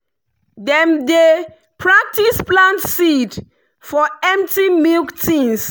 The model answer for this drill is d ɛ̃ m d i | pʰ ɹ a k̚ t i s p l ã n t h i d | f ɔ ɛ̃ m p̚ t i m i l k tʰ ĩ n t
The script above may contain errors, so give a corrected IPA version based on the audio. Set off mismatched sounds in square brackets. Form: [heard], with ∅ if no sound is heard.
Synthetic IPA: d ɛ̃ m d [e] | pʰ ɹ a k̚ t i s p l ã n t [s] i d | f ɔ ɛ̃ m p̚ t i m i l k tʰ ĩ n [s]